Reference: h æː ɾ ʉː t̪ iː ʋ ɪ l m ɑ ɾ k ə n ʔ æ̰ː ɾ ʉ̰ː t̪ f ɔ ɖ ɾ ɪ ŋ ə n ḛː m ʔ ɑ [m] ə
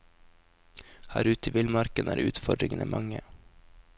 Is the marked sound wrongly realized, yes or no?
yes